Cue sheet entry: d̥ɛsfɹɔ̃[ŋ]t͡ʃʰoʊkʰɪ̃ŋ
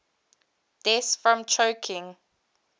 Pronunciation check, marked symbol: incorrect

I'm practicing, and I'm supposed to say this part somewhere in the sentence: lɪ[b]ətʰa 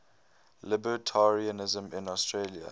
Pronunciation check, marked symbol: correct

